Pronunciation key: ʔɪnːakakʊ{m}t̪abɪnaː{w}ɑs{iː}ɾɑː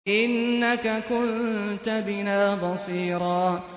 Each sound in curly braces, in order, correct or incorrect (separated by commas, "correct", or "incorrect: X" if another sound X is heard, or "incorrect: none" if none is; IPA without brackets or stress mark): incorrect: n, incorrect: b, correct